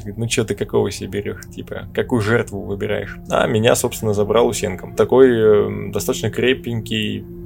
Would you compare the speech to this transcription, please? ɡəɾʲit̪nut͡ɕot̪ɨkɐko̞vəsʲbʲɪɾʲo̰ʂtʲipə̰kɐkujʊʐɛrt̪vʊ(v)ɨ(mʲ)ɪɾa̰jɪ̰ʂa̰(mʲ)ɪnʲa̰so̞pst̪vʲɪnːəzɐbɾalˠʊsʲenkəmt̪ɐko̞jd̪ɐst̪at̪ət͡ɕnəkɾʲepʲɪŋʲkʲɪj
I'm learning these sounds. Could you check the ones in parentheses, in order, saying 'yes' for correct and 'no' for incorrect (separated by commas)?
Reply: yes, no, yes